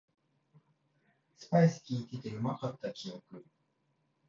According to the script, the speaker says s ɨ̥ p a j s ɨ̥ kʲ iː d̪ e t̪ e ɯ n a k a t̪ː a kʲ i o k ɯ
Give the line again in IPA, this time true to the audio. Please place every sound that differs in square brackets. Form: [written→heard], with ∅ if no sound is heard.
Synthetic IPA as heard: s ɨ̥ p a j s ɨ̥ kʲ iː [d̪→t̪] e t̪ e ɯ [n→m] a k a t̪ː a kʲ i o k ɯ